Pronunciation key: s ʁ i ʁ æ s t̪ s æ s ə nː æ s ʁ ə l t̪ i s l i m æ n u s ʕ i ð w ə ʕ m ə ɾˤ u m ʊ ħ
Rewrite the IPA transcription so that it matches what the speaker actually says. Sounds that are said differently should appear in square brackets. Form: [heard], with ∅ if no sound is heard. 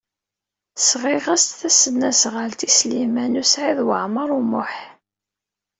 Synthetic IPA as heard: s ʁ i ʁ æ s t̪ [θ] æ s ə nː æ s ʁ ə l t̪ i s l i m æ n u s ʕ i ð w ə ʕ m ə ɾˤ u m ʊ ħ